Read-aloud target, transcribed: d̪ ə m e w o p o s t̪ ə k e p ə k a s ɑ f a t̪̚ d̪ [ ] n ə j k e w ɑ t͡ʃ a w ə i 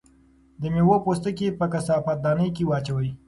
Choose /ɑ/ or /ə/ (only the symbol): ɑ